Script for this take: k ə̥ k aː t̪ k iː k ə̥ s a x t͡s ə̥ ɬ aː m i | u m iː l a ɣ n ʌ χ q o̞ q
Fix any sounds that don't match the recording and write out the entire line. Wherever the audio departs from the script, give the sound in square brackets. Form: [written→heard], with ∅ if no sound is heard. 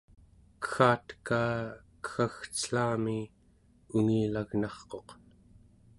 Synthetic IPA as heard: k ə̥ [k→x] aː t̪ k [iː→aː] k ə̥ [s→x] a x t͡s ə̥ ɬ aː m i | u [m→ŋ] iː l a ɣ n [ʌ→ɑ] χ q o̞ q